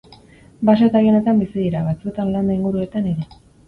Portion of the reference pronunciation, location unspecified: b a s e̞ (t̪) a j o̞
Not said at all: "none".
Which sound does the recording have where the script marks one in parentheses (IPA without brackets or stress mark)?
t̪